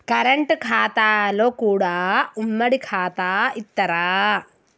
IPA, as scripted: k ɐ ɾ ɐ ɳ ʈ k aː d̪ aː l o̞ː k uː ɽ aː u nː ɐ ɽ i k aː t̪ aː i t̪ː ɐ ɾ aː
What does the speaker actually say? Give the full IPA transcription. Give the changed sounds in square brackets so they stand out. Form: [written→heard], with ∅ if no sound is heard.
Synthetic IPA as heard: k ɐ ɾ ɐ ɳ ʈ [k→kʰ] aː [d̪→t̪] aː l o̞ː k uː ɽ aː u [nː→mː] ɐ ɽ i [k→kʰ] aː t̪ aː i t̪ː ɐ ɾ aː